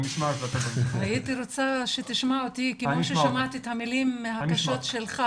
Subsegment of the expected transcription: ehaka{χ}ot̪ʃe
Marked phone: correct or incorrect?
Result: incorrect